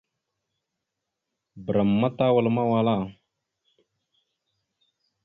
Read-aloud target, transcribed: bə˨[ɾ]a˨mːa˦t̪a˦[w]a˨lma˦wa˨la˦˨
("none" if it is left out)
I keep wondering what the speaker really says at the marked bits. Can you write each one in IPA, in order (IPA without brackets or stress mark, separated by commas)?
ɾ, w